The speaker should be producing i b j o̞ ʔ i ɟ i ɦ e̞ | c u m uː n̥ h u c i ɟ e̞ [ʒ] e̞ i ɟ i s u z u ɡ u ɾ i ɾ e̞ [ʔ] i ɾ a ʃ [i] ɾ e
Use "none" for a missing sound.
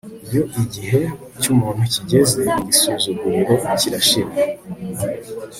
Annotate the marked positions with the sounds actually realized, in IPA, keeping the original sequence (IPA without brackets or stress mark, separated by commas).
z, c, i